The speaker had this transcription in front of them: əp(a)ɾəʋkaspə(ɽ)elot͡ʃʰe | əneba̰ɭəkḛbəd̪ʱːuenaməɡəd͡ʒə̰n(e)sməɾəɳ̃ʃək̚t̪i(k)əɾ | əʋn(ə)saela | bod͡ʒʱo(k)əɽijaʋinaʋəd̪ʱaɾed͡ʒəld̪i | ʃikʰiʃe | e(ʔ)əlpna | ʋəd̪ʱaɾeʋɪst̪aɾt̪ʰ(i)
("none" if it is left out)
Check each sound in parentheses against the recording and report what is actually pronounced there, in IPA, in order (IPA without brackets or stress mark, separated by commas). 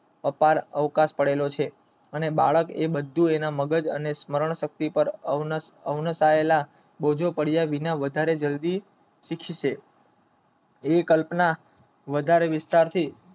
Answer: a, ɽ, e, p, ə, p, k, i